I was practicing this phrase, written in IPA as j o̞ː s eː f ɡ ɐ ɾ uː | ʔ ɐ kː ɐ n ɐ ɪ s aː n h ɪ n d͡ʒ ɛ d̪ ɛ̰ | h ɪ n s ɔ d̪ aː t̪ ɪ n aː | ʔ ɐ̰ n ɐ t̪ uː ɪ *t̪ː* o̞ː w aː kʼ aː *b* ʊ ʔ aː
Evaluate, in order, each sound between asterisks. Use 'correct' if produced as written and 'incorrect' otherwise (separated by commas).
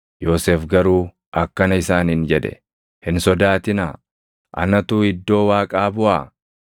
incorrect, correct